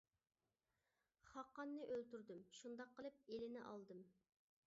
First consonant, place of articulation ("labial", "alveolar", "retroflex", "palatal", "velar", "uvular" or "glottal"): uvular